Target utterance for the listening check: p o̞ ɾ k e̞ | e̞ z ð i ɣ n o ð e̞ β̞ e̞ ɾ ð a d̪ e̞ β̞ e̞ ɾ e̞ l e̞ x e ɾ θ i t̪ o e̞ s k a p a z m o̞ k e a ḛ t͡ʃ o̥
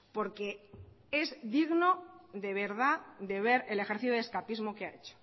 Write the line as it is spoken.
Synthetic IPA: p o̞ ɾ k e̞ | e̞ z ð i ɣ n o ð e̞ β̞ e̞ ɾ ð a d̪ e̞ β̞ e̞ ɾ e̞ l e̞ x e ɾ θ i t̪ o e̞ s k a p i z m o̞ k e a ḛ t͡ʃ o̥